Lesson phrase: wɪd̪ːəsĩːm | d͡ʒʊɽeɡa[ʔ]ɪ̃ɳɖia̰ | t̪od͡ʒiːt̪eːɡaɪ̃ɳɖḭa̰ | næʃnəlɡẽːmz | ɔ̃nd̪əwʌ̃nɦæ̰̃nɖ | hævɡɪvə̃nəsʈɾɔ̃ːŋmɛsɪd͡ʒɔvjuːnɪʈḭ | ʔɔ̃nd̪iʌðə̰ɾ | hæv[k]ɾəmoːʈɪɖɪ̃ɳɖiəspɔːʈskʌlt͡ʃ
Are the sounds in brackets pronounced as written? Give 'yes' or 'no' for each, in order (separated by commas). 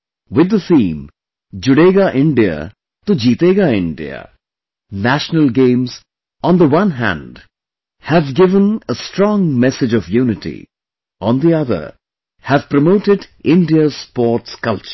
yes, no